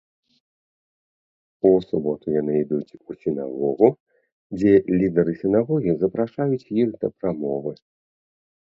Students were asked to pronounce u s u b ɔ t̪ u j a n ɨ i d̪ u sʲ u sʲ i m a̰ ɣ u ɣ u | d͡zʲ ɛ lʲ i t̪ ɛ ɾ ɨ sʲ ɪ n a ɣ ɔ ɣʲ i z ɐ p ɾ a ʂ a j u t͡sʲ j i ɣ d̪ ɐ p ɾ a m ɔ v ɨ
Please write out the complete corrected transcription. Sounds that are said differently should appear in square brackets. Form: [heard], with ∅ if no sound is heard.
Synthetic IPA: u s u b ɔ t̪ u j a n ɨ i d̪ u [t͡sʲ] u sʲ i [n] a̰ ɣ [ɔ] ɣ u | d͡zʲ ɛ lʲ i [d̪] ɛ ɾ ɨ sʲ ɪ n a ɣ ɔ ɣʲ i z ɐ p ɾ a ʂ a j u t͡sʲ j i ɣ d̪ ɐ p ɾ a m ɔ v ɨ